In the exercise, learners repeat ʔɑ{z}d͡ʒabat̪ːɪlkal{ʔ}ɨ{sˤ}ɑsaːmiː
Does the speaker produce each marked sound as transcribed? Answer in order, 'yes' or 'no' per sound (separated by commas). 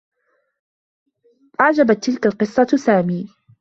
no, no, no